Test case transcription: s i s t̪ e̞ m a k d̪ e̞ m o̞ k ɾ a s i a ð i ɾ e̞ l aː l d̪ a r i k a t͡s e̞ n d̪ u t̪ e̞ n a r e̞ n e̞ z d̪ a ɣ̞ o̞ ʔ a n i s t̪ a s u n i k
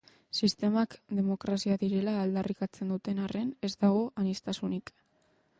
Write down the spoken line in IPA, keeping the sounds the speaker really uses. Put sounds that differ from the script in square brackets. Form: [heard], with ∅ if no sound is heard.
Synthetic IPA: s i s t̪ e̞ m a k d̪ e̞ m o̞ k ɾ a s i a ð i ɾ e̞ l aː l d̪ a r i k a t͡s e̞ n d̪ u t̪ e̞ n a r e̞ n e̞ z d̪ a ɣ̞ o̞ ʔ a n i s t̪ a s u n i k